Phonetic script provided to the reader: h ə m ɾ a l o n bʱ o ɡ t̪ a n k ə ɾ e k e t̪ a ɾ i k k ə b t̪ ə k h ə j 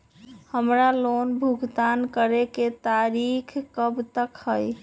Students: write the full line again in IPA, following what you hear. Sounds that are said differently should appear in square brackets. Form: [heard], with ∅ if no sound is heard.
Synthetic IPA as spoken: h ə m ɾ a l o n bʱ [u] ɡ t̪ a n k ə ɾ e k e t̪ a ɾ i [kʰ] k ə b t̪ ə k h ə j